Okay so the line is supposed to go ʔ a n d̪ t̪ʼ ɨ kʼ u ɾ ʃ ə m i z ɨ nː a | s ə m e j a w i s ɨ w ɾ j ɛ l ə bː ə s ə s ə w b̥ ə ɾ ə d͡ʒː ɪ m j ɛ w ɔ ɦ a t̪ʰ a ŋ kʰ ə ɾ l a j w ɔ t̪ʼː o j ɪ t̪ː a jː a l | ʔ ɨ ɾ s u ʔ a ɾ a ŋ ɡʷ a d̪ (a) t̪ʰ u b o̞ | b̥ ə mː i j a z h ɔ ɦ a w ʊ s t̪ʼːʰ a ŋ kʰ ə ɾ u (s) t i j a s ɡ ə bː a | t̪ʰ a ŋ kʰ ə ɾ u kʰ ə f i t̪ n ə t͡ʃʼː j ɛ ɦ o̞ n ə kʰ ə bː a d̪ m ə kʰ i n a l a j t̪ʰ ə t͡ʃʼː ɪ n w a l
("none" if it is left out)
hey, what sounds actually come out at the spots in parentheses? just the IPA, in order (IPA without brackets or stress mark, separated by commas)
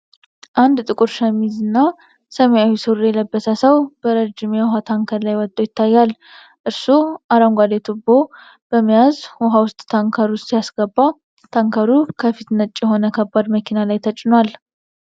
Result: e, s